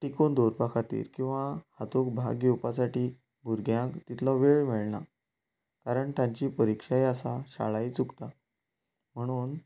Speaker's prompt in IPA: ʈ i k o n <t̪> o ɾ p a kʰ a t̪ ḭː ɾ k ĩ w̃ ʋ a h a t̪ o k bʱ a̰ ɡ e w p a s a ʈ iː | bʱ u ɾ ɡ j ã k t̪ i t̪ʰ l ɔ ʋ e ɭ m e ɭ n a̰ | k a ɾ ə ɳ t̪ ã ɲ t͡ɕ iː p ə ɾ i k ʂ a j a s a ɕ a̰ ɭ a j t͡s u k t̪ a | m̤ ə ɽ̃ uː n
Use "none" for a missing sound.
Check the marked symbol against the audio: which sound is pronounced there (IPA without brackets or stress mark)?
d̪